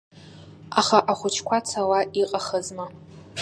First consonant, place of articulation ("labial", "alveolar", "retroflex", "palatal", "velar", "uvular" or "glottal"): uvular